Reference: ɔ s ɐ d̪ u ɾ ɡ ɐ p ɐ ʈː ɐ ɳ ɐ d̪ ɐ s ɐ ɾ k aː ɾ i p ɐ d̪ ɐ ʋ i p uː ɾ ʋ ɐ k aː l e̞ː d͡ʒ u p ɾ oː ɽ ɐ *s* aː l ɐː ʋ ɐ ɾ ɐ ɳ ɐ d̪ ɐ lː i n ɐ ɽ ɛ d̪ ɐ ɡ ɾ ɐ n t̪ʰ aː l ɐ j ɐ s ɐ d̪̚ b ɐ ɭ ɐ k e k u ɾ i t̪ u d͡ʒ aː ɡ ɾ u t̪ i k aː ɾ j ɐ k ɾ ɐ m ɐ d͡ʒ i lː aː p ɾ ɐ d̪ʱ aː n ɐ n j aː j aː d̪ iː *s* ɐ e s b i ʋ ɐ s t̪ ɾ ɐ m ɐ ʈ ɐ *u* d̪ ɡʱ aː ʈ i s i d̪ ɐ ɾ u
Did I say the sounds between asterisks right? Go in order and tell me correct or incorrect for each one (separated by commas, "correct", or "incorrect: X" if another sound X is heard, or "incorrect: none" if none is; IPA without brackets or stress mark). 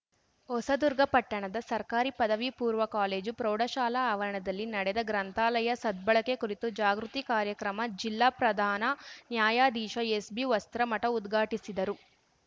incorrect: ʃ, incorrect: ʃ, correct